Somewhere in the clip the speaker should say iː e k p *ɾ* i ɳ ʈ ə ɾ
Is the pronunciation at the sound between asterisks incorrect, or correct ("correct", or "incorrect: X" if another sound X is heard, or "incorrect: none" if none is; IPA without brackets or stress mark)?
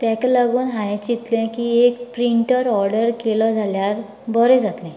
correct